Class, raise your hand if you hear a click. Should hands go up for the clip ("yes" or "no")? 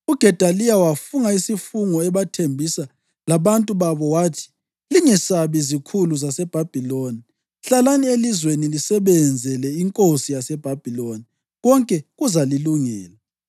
no